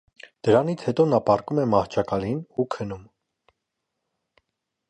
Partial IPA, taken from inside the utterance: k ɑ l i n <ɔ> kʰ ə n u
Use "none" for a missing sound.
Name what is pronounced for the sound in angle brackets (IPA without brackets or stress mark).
u